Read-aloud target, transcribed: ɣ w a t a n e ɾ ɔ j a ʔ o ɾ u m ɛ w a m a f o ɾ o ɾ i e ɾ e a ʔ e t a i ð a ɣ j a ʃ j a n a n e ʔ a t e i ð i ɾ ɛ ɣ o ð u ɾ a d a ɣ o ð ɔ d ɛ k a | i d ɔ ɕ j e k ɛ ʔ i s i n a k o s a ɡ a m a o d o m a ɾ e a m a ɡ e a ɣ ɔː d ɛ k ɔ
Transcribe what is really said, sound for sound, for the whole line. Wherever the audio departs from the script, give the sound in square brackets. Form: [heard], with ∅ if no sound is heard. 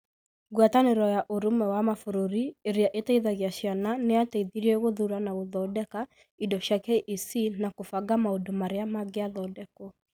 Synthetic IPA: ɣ w a t a n e ɾ ɔ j a ʔ o ɾ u m ɛ w a m a f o ɾ o ɾ i e ɾ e a ʔ e t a i ð a ɣ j a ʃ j a n a n e [∅] a t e i ð i ɾ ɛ ɣ o ð u ɾ a [n] a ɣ o ð ɔ d ɛ k a | i d ɔ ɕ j [a] k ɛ ʔ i s i n a k o [f] a ɡ a m a o d o m a ɾ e a m a ɡ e a [ð] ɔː d ɛ k ɔ